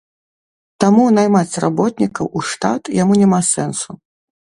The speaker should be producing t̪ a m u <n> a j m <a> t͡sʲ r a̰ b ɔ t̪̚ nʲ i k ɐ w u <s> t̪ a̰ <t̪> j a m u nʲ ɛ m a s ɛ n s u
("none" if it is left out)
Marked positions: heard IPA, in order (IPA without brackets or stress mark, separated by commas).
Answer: n, a, ʂ, t̪